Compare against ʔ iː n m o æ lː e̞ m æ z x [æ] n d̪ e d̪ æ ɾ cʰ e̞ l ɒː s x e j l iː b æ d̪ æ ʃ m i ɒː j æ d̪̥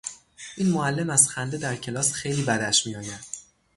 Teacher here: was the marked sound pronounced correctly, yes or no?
yes